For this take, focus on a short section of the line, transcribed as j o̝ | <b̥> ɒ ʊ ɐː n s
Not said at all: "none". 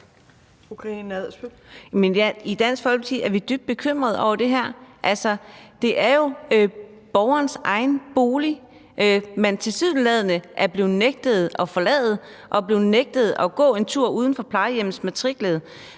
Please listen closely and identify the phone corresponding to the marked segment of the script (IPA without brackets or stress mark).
b̥